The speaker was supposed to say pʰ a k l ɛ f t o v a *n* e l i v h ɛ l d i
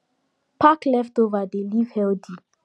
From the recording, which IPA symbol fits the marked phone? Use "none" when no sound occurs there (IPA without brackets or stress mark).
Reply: d